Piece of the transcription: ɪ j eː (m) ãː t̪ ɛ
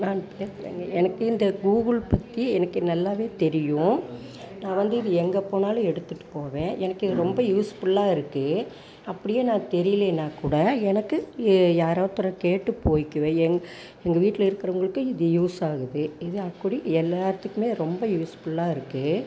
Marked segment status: incorrect: n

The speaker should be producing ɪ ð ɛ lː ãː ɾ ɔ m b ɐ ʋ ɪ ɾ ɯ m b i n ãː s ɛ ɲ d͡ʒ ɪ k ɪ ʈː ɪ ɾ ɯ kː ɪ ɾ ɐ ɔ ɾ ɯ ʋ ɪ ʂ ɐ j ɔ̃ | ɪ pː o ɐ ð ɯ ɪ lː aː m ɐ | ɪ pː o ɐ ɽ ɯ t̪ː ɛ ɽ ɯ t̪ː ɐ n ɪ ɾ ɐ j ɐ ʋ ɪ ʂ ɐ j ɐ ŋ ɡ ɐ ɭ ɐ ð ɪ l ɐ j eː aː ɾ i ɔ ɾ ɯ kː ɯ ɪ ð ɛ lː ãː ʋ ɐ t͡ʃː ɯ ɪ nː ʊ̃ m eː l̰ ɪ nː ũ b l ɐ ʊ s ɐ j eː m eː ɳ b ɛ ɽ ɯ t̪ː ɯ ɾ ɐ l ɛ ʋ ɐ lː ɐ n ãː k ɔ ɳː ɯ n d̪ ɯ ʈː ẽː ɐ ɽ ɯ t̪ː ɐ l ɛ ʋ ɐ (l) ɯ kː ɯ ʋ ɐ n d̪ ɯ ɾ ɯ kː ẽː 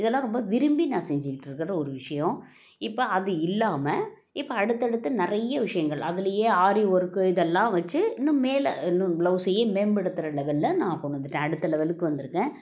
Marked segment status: correct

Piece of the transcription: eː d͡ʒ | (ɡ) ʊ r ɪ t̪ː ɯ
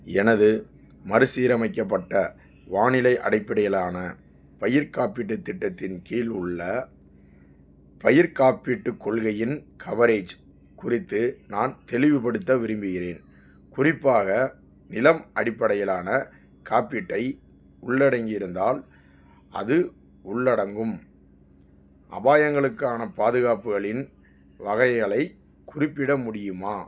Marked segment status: incorrect: k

